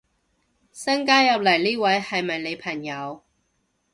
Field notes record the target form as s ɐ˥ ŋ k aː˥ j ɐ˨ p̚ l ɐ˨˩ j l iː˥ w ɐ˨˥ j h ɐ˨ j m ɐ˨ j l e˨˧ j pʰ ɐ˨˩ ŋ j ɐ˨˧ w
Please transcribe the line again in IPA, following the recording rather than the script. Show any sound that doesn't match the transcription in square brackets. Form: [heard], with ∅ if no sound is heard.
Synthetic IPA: s ɐ˥ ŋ k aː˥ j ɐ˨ p̚ l ɐ˨˩ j l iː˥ w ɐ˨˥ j h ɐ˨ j m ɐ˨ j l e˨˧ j pʰ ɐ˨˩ ŋ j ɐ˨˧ w